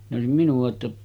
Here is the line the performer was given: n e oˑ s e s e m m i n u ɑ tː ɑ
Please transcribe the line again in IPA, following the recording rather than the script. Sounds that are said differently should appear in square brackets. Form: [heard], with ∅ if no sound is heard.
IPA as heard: n e oˑ [∅] e s [i] m m i n u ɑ tː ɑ